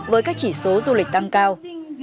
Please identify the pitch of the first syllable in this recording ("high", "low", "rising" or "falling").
rising